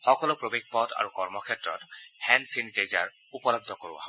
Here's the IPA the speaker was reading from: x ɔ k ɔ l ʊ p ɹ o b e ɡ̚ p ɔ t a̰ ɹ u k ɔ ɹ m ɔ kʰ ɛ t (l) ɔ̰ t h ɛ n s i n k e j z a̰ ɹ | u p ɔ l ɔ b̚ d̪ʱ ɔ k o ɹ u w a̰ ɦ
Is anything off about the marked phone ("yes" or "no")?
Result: yes